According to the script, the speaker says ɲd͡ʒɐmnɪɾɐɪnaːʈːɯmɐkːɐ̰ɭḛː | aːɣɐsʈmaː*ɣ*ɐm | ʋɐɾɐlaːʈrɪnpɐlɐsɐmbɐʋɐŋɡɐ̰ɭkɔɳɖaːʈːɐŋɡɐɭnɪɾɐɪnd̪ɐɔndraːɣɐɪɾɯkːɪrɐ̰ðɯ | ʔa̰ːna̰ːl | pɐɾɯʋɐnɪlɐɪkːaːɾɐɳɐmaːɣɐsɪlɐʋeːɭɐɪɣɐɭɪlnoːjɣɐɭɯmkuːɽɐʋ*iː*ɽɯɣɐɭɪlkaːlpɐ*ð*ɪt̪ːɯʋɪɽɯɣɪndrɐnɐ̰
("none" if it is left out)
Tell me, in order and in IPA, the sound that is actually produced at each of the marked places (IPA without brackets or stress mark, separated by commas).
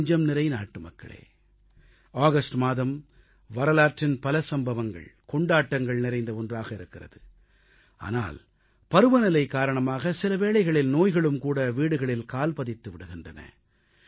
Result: ð, iː, ð